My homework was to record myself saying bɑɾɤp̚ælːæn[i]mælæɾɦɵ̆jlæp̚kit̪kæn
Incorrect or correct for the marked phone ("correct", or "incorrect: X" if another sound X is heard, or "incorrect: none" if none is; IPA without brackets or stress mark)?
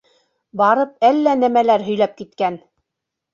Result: incorrect: æ